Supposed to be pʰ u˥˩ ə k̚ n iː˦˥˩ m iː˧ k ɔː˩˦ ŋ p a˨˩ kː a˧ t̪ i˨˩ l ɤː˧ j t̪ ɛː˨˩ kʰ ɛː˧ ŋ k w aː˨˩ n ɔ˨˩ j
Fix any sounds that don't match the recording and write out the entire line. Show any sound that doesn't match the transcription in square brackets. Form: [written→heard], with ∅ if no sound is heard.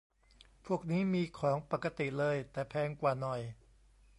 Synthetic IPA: pʰ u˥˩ ə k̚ n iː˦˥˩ m iː˧ [k→kʰ] ɔː˩˦ ŋ p a˨˩ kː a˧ t̪ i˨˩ l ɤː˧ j t̪ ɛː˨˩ [kʰ→pʰ] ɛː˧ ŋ k w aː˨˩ n ɔ˨˩ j